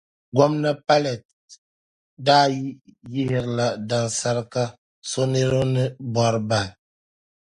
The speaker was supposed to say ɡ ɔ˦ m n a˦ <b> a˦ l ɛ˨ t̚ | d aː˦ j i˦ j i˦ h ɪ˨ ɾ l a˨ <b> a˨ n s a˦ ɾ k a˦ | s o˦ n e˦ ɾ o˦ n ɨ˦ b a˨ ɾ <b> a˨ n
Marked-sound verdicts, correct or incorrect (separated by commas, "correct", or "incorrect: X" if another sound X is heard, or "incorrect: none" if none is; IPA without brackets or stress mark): incorrect: p, incorrect: d, correct